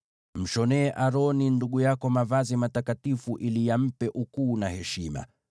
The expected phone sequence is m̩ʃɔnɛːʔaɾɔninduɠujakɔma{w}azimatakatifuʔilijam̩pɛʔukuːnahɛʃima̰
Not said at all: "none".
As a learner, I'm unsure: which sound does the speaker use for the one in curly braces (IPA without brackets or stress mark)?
v